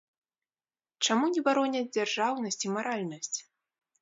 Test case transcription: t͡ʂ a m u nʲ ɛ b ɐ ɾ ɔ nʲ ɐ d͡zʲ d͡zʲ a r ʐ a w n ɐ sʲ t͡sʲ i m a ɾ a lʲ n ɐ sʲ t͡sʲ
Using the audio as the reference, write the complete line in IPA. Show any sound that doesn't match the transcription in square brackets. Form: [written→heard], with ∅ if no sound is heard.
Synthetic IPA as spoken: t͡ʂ a m u nʲ ɛ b [ɐ→a] ɾ ɔ nʲ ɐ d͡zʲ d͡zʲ a r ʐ a w n ɐ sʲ t͡sʲ i m a ɾ a lʲ n ɐ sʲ t͡sʲ